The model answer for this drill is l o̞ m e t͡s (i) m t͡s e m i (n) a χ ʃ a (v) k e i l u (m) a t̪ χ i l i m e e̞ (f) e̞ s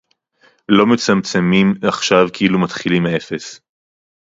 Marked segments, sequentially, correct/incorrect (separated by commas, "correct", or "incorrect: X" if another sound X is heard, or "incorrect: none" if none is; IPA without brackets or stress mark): incorrect: a, incorrect: m, correct, correct, correct